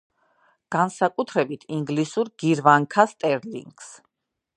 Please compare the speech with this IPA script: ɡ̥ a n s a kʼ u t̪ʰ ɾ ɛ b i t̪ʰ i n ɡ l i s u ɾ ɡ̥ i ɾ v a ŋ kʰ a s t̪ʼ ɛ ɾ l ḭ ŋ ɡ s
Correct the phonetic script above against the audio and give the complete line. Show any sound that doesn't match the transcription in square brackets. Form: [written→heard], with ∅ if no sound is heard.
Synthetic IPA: ɡ̥ a n s a kʼ u t̪ʰ ɾ ɛ b i t̪ʰ i [n→ŋ] ɡ l i s u ɾ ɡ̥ i ɾ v a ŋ kʰ a s t̪ʼ ɛ ɾ l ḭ ŋ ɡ s